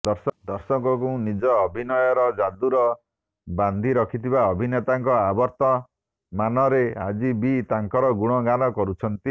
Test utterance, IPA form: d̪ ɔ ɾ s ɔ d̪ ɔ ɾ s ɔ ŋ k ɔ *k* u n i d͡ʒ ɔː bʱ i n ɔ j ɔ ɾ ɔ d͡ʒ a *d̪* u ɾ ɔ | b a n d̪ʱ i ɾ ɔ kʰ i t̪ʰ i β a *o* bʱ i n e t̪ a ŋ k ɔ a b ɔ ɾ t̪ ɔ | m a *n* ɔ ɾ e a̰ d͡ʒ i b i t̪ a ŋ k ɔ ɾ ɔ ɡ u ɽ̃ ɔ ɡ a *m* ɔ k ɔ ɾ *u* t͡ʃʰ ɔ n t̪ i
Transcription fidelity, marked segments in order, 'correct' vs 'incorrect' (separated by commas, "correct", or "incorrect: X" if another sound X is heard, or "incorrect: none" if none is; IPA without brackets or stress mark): correct, correct, incorrect: ɔ, correct, incorrect: n, correct